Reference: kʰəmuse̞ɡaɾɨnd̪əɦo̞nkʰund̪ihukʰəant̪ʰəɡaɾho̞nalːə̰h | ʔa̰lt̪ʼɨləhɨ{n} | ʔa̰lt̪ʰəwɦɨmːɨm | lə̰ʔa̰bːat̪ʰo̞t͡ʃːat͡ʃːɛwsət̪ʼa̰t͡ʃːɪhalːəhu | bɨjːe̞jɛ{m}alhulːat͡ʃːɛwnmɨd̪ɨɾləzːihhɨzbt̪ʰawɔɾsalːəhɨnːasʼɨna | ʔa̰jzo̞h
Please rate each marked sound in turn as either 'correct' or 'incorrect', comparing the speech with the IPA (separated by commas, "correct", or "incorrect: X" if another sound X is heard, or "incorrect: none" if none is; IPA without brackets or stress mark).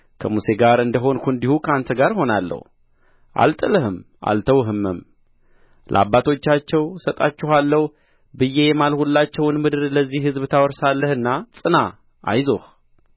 incorrect: m, correct